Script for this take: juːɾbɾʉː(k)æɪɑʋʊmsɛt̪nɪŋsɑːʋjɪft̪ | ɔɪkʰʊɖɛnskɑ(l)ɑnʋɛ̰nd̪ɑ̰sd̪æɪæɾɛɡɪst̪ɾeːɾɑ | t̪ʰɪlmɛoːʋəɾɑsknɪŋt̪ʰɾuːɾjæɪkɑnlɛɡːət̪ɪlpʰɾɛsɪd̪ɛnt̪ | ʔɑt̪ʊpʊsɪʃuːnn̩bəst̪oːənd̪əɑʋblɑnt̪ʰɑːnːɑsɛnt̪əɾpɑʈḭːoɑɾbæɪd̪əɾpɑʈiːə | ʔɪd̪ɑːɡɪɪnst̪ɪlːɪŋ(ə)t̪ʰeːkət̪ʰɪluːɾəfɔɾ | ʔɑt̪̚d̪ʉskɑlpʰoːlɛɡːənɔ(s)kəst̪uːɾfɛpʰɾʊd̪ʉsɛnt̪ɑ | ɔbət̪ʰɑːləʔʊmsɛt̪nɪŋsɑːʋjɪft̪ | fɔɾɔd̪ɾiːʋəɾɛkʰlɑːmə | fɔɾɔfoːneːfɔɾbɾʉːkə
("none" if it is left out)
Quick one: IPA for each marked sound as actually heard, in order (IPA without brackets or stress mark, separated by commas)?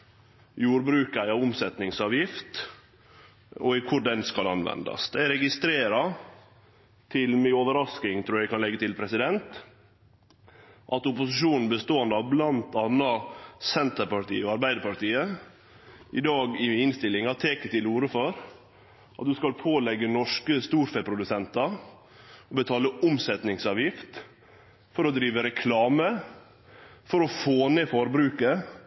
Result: k, l, ɑ, ʂ